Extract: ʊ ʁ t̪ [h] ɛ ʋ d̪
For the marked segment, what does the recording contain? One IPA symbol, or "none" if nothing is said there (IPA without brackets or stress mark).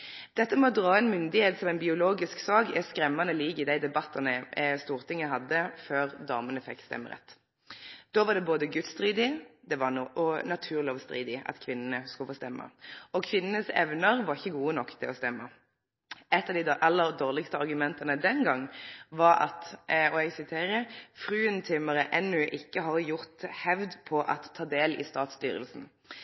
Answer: h